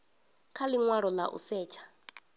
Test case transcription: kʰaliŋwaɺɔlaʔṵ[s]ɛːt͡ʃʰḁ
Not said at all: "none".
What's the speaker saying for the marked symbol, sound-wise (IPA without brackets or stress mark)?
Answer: s